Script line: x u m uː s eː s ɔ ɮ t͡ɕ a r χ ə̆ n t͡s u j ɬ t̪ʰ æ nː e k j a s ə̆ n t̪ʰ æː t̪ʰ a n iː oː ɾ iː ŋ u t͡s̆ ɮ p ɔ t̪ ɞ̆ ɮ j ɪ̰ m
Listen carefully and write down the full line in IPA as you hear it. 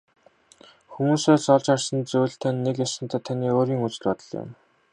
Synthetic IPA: x u m uː s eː s ɔ ɮ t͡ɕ a r s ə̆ n t͡s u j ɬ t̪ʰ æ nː e k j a s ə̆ n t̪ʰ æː t̪ʰ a n iː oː ɾ iː ŋ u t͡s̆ ɮ p ɔ t̪ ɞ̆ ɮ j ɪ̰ m

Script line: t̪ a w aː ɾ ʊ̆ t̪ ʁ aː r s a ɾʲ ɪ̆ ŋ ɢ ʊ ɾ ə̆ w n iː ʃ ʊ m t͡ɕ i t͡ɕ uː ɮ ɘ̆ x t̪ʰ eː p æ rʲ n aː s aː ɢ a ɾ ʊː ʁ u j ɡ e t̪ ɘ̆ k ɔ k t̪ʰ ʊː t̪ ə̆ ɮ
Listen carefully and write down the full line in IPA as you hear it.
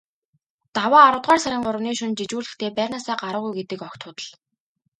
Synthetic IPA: t̪ a w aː ɾ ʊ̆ t̪ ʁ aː r s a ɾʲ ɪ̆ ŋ ɢ ʊ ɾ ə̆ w n iː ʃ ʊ n t͡ɕ i t͡ɕ uː ɮ ɘ̆ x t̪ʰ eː p æ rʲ n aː s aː ɢ a ɾ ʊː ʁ u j ɡ e t̪ ɘ̆ k ɔ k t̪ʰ ʊː t̪ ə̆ ɮ

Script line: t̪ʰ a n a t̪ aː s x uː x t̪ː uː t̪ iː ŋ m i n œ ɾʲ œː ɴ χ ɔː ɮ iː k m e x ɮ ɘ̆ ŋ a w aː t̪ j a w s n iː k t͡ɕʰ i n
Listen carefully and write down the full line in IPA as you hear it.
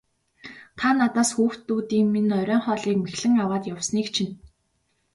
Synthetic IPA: t̪ʰ a n a t̪ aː s x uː x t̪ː uː t̪ iː ŋ m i n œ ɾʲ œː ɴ χ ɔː ɮ iː k m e x ɮ ɘ̆ ŋ a w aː t̪ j a w s n iː k t͡ɕʰ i n

